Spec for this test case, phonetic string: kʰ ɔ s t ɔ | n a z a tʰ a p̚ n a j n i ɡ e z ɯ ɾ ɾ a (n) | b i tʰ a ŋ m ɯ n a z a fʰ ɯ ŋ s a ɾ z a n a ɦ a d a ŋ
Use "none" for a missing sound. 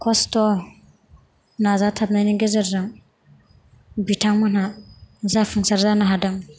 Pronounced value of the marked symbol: ŋ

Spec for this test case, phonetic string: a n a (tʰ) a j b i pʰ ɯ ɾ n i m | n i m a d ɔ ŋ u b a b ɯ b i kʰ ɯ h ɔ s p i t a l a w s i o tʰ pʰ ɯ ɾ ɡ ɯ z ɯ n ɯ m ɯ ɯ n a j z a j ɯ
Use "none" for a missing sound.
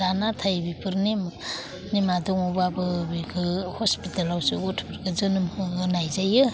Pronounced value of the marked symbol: tʰ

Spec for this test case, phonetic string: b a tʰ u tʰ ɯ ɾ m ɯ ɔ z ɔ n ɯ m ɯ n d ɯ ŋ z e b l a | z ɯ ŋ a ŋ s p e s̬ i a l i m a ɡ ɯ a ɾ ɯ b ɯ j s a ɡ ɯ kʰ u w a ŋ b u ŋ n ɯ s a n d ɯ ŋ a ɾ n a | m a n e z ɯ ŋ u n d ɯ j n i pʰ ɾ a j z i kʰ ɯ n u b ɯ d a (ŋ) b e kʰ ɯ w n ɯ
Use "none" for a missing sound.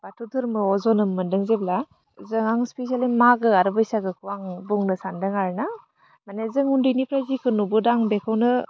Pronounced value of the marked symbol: ŋ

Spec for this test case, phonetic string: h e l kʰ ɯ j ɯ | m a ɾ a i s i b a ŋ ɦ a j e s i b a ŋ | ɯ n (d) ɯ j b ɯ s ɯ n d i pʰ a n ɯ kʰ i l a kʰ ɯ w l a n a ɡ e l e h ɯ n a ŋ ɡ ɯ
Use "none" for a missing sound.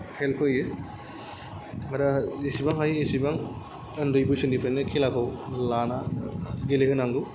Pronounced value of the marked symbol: d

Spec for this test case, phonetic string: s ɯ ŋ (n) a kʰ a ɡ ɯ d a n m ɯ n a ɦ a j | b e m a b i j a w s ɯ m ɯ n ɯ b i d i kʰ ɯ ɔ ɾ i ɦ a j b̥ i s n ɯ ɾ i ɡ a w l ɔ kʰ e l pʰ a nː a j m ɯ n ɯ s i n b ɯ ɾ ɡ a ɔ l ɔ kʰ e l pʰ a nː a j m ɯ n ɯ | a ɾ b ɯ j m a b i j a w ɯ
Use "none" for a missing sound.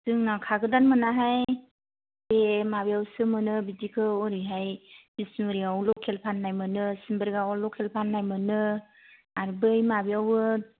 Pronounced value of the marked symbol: n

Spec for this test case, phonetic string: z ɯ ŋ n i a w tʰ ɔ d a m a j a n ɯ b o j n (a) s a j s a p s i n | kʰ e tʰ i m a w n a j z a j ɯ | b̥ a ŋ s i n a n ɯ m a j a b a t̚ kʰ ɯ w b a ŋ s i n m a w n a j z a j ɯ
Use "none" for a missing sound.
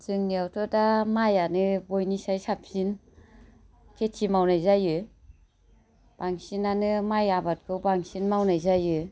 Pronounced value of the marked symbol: i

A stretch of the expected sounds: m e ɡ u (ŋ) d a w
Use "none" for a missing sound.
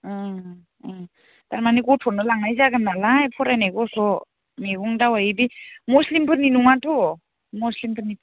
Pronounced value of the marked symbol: ŋ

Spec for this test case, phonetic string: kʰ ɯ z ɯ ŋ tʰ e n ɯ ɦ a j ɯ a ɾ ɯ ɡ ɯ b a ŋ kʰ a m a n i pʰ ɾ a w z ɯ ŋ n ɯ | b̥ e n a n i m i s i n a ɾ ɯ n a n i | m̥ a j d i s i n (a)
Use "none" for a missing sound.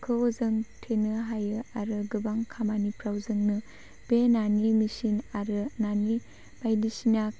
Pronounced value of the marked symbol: a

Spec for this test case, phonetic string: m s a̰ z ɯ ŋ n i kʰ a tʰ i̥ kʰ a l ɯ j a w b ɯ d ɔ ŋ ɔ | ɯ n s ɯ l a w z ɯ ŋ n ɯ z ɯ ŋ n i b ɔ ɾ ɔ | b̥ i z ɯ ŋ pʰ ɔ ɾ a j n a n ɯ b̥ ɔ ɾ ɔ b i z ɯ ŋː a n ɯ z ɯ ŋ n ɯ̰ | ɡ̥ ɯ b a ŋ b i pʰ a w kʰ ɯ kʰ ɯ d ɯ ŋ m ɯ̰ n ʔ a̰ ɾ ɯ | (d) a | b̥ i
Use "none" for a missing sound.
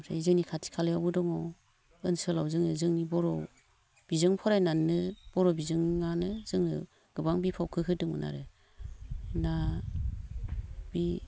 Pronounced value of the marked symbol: n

